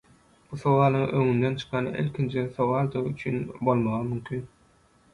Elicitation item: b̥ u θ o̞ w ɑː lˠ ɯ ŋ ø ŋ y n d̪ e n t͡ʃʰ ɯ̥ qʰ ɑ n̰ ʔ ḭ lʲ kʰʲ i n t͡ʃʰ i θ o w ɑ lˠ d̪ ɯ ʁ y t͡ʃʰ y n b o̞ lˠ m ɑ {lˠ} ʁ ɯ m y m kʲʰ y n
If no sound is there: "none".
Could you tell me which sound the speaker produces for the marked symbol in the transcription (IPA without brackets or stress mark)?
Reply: none